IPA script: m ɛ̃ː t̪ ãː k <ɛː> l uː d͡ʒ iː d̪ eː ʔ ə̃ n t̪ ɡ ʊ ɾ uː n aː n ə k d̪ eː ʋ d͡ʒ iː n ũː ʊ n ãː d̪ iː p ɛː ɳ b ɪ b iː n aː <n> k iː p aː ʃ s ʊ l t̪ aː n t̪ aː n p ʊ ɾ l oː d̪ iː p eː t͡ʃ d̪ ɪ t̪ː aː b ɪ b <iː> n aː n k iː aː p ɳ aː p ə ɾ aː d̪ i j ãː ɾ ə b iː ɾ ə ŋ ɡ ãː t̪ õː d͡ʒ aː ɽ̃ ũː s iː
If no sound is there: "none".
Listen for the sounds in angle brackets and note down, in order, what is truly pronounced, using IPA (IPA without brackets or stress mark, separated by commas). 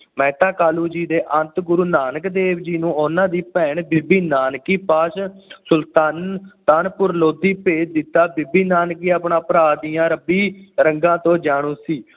aː, n, iː